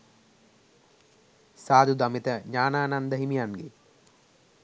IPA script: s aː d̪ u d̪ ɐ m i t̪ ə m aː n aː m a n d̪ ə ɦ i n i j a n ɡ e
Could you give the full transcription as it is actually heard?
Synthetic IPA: s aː d̪ u d̪ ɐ m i t̪ ə ɲ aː n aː n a n d̪ ə ɦ i m i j a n ɡ e